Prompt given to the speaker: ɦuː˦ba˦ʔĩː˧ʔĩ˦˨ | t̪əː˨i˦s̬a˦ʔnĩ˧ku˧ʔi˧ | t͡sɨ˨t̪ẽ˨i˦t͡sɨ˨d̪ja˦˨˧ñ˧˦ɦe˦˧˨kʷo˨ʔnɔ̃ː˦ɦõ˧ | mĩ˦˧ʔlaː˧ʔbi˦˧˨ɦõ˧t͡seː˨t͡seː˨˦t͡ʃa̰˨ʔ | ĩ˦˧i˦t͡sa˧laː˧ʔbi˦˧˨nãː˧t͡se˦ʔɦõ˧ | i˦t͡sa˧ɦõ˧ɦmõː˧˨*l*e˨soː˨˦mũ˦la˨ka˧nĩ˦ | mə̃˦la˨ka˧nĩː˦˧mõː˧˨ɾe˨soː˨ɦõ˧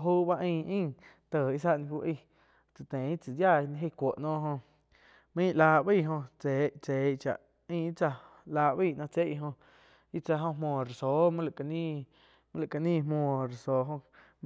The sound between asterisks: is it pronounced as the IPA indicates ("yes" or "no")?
no